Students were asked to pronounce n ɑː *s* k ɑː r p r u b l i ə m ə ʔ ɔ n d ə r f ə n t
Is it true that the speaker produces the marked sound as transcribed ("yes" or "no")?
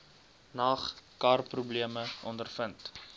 no